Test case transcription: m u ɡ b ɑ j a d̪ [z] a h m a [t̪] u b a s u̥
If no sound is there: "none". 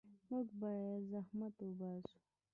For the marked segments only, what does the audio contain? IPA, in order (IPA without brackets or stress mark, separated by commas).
z, t̪